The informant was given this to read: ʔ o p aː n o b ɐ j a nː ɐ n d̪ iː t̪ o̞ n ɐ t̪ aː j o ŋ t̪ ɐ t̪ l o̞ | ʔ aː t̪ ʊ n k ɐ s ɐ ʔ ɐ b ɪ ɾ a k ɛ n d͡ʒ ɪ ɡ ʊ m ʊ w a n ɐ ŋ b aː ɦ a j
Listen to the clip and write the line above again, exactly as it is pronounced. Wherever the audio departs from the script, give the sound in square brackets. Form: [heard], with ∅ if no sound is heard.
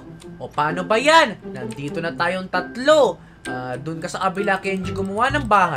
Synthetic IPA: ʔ o p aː n o b ɐ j a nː ɐ n d̪ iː t̪ o̞ n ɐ t̪ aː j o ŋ t̪ ɐ t̪ l o̞ | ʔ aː [d̪] ʊ n k ɐ s ɐ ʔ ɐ b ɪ [l] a k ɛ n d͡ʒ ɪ ɡ ʊ m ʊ w a n ɐ ŋ b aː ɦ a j